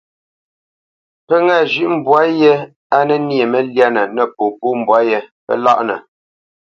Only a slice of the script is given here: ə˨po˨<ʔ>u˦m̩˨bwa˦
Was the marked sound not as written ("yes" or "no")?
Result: yes